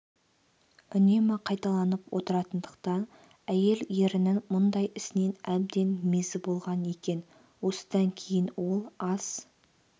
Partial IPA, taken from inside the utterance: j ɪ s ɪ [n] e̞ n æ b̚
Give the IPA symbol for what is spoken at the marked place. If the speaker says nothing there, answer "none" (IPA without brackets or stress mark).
n